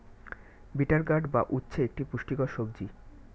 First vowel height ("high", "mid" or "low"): high